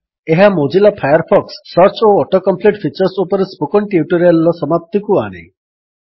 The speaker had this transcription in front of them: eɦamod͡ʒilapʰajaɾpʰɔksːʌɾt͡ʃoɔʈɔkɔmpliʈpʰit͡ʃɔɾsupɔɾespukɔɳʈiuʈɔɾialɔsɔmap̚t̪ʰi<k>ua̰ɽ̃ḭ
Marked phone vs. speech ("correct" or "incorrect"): correct